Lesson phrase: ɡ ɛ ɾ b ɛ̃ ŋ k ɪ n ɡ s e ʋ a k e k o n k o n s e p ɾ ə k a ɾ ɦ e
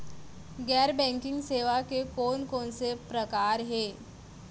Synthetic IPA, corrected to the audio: ɡ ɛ ɾ b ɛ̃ ŋ k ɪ ŋ ɡ s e ʋ a k e k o n k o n s e p ɾ ə k a ɾ ɦ e